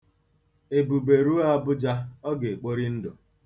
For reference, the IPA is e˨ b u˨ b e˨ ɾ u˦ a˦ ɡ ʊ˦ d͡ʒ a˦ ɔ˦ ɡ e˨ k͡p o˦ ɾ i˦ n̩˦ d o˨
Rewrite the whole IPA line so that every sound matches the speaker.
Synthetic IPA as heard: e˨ b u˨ b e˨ ɾ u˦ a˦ b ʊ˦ d͡ʒ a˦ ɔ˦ ɡ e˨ k͡p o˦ ɾ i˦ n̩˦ d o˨